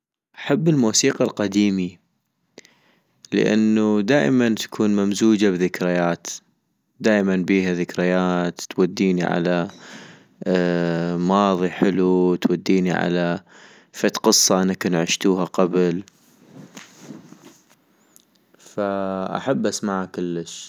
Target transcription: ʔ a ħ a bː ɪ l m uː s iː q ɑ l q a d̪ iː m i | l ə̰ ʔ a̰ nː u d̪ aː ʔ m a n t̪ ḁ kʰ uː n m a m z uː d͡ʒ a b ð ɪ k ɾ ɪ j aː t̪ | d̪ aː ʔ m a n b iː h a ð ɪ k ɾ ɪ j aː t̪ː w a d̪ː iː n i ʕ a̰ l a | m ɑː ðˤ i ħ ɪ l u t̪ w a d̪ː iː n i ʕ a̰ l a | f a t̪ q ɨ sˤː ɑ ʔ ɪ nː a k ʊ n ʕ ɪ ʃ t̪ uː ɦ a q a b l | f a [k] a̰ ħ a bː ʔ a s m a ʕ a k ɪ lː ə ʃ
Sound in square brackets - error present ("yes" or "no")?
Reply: yes